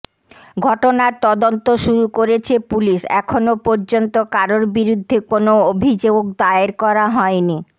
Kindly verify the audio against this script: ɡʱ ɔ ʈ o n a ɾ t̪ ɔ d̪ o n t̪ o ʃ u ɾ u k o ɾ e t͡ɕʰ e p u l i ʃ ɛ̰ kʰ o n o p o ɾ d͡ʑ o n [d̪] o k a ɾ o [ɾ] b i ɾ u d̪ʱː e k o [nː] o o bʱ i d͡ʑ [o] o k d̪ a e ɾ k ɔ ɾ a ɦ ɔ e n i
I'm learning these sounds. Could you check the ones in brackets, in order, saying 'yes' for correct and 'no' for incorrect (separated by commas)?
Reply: no, yes, no, yes